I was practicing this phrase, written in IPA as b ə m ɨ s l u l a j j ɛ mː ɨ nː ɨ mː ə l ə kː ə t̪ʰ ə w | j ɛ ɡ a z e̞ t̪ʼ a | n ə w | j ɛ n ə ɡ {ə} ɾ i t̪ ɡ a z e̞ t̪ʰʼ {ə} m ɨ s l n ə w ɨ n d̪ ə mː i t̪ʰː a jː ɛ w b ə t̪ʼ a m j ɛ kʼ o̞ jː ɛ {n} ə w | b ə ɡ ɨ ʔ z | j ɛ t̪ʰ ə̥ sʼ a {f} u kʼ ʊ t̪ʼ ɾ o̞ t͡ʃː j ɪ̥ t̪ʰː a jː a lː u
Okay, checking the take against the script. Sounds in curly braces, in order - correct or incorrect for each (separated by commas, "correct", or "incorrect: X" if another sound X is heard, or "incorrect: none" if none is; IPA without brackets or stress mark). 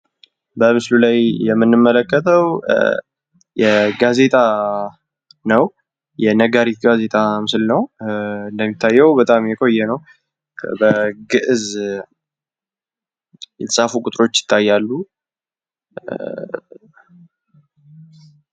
incorrect: a, incorrect: a, correct, correct